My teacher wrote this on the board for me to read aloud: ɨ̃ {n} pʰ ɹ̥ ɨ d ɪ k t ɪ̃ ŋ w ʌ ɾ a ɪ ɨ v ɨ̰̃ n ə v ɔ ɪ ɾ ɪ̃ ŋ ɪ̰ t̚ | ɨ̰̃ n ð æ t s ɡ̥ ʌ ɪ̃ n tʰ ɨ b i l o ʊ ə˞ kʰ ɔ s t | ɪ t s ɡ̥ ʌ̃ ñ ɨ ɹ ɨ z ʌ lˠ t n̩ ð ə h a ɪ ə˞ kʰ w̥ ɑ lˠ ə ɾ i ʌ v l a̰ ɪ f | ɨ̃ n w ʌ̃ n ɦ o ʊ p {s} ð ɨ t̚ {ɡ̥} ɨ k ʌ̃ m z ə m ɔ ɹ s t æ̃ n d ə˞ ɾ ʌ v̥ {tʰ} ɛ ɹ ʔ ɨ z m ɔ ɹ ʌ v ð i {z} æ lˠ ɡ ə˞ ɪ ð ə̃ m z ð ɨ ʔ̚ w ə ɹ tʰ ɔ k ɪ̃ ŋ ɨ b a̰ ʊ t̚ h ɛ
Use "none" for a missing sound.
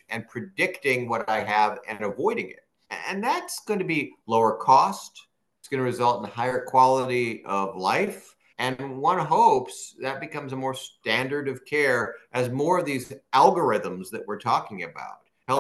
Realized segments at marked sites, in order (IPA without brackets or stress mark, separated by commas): n, s, b̥, kʰ, z